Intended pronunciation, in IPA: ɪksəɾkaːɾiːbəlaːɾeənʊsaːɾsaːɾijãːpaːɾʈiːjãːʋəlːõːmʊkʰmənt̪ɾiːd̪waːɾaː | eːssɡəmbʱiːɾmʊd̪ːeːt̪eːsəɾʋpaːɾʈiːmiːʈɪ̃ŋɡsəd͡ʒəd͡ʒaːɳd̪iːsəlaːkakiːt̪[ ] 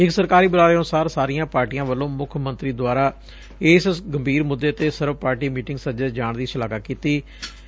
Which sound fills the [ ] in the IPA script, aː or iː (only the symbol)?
iː